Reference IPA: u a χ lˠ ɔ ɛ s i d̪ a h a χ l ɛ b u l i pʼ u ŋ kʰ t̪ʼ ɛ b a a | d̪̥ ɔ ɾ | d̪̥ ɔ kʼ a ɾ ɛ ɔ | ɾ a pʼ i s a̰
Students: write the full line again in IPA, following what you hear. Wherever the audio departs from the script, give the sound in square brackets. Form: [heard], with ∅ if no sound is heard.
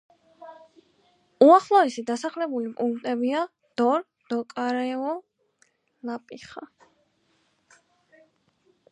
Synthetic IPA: u a χ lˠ ɔ ɛ s i d̪ a [s] a χ l ɛ b u l i pʼ u ŋ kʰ t̪ʼ ɛ b [i] a | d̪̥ ɔ ɾ | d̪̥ ɔ kʼ a ɾ ɛ ɔ | [l] a pʼ i [χ] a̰